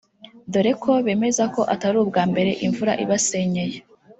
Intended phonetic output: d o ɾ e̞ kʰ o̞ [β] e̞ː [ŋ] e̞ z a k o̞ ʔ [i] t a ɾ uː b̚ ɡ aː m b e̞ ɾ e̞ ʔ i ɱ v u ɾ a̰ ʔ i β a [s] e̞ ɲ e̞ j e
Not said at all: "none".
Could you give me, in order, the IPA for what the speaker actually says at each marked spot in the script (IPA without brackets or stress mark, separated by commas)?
β, m, a, s